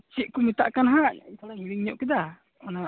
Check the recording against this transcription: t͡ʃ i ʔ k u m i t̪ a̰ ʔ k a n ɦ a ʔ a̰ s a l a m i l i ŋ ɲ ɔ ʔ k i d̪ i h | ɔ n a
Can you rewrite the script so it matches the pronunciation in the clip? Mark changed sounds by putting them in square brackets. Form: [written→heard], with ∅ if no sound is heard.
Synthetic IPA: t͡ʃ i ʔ k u m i t̪ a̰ ʔ k a n ɦ a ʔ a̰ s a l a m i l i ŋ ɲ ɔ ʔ k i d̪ [i→a] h | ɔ n a